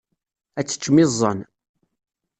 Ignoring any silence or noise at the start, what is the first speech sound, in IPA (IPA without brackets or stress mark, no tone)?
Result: æ